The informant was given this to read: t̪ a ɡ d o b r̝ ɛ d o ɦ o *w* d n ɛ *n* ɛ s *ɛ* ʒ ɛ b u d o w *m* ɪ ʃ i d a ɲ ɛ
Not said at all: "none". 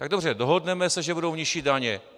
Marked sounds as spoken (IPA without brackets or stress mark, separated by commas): none, m, ɛ, ɲ